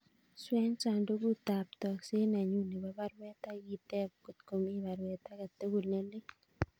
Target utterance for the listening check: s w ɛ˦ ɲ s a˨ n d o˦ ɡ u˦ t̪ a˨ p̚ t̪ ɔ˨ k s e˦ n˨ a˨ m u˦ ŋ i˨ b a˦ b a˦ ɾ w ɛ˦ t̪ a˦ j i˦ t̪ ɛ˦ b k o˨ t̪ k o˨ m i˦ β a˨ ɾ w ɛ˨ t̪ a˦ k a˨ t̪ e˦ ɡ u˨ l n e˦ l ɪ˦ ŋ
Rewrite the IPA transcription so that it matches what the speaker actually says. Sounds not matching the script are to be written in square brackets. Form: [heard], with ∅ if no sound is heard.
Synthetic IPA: s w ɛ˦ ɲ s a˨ n d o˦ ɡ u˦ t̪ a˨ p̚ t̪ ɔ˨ k s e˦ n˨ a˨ [ɲ] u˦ [n] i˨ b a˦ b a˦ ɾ w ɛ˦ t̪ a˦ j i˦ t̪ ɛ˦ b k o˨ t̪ k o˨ m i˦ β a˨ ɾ w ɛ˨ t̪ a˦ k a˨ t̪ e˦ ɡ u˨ l n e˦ l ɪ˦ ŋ